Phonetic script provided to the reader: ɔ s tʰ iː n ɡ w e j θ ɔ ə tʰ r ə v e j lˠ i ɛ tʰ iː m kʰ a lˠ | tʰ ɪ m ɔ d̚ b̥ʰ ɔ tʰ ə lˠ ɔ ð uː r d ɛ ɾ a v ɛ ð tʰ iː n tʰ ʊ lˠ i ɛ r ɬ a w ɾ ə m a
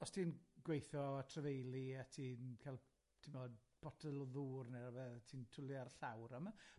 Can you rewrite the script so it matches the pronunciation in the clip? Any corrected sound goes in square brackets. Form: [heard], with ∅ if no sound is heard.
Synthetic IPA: ɔ s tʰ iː n ɡ w e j θ ɔ [a] tʰ r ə v e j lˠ i [a] tʰ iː [n] kʰ a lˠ | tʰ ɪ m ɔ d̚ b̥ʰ ɔ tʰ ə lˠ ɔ ð uː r [n] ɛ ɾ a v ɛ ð tʰ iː n tʰ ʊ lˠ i [a] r ɬ a w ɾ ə m a